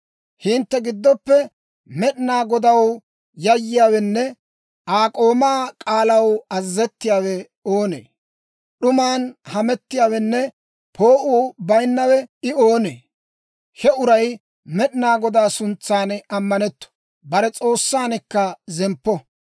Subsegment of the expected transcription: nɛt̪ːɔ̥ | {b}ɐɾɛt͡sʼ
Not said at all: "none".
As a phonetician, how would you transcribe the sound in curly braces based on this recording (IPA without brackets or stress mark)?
b